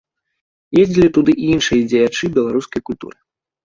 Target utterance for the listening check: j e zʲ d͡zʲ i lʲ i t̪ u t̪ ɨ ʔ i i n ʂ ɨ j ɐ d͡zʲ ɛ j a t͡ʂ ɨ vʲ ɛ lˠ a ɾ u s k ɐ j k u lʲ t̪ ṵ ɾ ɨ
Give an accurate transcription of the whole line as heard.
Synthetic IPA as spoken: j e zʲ d͡zʲ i lʲ i t̪ u d̪ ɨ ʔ i i n ʂ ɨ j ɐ d͡zʲ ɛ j a t͡ʂ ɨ bʲ ɛ lˠ a ɾ u s k ɐ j k u lʲ t̪ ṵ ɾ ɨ